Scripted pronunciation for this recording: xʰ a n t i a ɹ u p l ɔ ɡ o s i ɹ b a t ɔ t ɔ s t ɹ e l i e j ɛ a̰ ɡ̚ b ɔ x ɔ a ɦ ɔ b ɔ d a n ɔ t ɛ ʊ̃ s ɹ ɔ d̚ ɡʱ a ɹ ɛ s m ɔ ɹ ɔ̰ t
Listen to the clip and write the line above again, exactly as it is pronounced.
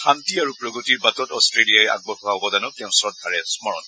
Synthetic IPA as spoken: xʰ a n t i a ɹ u p ɹ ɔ ɡ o t i ɹ b a t ɔ t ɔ s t ɹ e l i a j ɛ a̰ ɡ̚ b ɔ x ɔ a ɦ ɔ b ɔ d a n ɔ t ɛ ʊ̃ s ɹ ɔ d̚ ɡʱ a ɹ ɛ s m ɔ ɹ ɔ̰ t